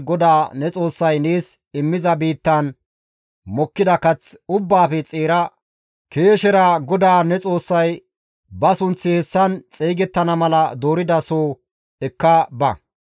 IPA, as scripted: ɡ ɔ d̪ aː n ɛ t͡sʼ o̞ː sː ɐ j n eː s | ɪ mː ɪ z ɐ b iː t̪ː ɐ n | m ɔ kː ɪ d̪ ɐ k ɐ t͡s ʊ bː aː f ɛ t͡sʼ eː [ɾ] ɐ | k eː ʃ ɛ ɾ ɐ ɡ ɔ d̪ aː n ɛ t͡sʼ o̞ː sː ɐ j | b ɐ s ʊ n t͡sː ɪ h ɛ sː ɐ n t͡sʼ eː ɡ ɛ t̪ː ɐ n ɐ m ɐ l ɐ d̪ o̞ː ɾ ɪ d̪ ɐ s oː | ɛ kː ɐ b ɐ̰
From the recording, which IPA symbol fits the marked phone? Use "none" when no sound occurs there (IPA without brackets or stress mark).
ɾ